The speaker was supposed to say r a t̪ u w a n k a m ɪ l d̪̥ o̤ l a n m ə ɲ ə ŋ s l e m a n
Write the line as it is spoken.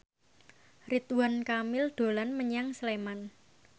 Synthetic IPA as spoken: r i t̪ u w a n k a m ɪ l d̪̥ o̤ l a n m ə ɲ a ŋ s l e m a n